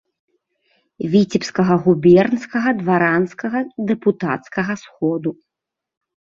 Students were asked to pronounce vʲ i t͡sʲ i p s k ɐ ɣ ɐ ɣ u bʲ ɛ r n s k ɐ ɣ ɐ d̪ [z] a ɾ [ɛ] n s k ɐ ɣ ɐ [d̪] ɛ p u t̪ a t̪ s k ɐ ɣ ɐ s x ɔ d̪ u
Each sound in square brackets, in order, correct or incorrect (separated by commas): incorrect, incorrect, correct